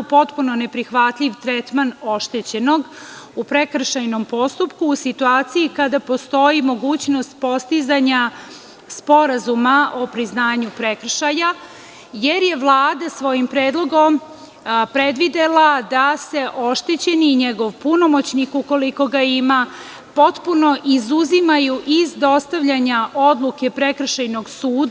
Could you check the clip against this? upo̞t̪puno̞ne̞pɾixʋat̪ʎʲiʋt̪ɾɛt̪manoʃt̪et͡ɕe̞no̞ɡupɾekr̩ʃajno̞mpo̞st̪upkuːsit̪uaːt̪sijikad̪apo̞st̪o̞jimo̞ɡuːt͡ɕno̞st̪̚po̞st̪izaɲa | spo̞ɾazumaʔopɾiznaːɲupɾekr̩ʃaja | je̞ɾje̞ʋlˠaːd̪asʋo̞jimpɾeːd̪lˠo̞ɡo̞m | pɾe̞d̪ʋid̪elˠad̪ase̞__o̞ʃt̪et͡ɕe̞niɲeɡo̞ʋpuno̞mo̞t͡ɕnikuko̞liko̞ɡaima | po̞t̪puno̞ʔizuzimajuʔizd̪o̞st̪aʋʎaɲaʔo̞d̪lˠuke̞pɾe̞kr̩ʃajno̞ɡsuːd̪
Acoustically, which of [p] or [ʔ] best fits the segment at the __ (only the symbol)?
ʔ